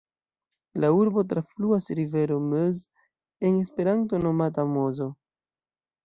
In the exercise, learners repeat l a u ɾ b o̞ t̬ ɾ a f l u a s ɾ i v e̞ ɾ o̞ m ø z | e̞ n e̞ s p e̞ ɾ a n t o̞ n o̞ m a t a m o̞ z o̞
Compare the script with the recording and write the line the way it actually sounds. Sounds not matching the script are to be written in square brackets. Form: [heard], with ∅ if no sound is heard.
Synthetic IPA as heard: l a u ɾ b o̞ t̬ ɾ a f l u a s ɾ i v e̞ ɾ o̞ m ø z | e̞ n e̞ s p e̞ ɾ a n t o̞ n o̞ m a t a m o̞ z o̞